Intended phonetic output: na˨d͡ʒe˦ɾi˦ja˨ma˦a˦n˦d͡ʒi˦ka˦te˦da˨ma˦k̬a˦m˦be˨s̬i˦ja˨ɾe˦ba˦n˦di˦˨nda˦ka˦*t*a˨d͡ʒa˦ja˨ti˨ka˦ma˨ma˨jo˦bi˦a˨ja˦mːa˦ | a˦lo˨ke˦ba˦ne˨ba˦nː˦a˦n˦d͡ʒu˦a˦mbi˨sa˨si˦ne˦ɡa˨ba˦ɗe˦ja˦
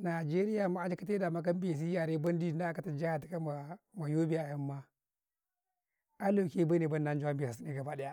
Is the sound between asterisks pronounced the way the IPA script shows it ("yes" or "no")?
yes